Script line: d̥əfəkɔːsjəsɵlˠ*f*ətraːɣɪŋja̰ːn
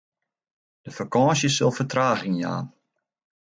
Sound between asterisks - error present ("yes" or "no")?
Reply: no